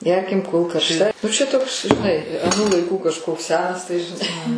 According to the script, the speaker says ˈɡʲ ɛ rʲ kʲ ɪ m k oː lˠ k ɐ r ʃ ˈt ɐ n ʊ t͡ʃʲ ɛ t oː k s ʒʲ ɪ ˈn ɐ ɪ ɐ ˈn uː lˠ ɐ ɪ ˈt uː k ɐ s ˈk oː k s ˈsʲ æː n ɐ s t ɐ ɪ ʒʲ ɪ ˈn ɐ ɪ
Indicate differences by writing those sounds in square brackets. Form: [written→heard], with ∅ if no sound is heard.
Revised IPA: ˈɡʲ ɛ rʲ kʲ ɪ m k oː lˠ k ɐ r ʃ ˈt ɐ n ʊ t͡ʃʲ ɛ t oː k s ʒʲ ɪ ˈn ɐ ɪ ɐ ˈn uː lˠ ɐ ɪ [ˈt→ˈk] uː k ɐ [s→ʃ] ˈk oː k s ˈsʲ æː n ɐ s t ɐ ɪ ʒʲ ɪ ˈn ɐ ɪ